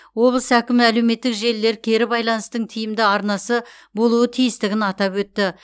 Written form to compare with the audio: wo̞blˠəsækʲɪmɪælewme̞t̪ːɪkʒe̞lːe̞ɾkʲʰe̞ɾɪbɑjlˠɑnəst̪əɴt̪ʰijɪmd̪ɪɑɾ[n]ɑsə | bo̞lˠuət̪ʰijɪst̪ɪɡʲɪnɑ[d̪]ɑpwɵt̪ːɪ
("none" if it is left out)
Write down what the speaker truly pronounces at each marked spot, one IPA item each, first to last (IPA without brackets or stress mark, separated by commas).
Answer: n, t̪